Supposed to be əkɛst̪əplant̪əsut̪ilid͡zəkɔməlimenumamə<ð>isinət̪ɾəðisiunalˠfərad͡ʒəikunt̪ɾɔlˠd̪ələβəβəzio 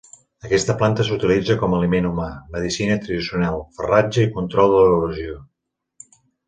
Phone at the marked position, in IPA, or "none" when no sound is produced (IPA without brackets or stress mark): ð